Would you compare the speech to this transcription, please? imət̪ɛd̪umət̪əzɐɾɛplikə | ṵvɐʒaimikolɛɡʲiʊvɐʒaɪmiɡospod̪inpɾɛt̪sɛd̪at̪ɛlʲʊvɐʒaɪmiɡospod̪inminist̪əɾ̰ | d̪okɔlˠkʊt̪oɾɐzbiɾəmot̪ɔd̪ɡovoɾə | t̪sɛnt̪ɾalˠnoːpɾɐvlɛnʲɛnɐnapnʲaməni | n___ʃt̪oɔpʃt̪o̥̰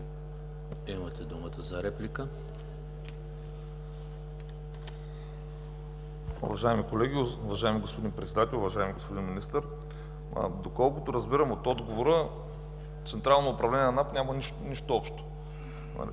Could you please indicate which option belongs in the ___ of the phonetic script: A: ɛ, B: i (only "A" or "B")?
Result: B